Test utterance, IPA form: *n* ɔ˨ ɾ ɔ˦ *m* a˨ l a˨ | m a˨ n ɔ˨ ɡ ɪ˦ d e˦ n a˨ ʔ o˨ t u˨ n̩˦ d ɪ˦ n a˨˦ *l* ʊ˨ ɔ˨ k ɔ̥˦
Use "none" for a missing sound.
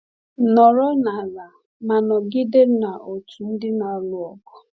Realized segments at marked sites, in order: n, n, l

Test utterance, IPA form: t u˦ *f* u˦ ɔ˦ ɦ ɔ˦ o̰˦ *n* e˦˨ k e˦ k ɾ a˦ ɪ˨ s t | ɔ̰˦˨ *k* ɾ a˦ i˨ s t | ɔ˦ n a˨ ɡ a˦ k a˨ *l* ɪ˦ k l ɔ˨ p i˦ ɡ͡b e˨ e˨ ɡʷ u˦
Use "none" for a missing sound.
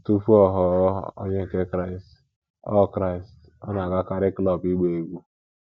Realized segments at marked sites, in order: f, ɲ, k, ɾ

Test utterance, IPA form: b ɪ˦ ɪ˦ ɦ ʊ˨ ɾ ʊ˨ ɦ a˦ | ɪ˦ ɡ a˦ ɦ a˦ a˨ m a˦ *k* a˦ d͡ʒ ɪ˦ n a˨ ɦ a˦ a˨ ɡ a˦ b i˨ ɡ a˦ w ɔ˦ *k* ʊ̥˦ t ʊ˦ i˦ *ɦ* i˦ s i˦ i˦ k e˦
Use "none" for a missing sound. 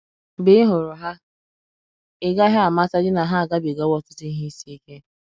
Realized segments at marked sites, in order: t, t, ɦ

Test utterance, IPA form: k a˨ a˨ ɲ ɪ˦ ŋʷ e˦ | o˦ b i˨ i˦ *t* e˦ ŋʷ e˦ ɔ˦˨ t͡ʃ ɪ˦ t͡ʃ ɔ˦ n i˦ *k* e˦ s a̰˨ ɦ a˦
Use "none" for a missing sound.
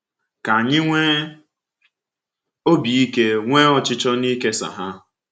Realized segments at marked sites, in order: k, k

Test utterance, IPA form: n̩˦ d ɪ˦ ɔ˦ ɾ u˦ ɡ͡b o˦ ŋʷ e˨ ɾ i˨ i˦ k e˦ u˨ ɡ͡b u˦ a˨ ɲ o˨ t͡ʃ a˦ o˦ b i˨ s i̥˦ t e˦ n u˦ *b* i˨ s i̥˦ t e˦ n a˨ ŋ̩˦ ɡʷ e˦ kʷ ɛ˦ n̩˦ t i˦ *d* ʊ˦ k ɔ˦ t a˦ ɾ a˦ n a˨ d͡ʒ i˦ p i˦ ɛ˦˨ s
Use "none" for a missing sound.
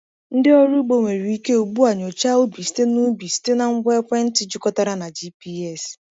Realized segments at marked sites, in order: b, d͡ʒ

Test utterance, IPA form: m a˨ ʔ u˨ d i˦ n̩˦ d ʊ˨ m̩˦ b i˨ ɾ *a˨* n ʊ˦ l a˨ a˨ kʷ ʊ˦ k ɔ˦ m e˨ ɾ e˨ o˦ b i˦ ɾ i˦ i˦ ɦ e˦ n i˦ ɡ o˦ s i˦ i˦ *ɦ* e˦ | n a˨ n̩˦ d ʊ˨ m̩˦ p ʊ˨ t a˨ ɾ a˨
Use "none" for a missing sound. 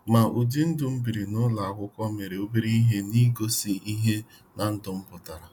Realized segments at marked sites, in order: i˨, ɦ

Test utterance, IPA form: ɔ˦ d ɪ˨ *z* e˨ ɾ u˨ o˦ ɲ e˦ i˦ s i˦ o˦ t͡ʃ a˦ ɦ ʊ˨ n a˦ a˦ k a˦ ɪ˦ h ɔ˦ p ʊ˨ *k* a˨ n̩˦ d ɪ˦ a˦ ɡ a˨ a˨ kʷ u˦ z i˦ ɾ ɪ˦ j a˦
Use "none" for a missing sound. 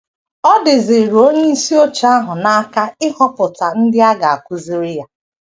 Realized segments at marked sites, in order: z, t

